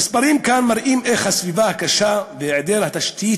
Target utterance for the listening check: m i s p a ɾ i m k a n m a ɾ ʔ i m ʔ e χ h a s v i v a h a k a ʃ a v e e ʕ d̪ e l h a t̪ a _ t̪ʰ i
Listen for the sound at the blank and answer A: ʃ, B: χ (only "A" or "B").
A